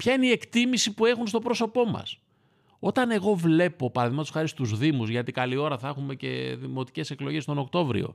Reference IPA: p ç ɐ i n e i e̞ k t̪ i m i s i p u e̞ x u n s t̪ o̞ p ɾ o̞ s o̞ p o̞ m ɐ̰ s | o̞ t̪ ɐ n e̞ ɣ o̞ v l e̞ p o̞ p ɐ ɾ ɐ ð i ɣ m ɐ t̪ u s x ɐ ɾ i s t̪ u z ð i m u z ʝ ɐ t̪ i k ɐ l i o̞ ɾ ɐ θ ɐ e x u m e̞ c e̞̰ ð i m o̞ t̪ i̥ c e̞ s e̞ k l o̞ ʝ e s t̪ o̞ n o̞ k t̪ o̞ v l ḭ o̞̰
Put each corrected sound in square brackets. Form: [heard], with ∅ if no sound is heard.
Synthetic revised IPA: p ç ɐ i n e i e̞ k t̪ i m i s i p u e̞ x u n s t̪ o̞ p ɾ o̞ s o̞ p o̞ m ɐ̰ s | o̞ t̪ ɐ n e̞ ɣ o̞ v l e̞ p o̞ p ɐ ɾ ɐ ð i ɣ m ɐ t̪ u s x ɐ ɾ i s t̪ u z ð i m u z ʝ ɐ t̪ i k ɐ l i o̞ ɾ ɐ θ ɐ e x u m e̞ c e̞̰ ð i m o̞ t̪ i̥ c e̞ s e̞ k l o̞ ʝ e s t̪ o̞ n o̞ k t̪ o̞ v [ɾ] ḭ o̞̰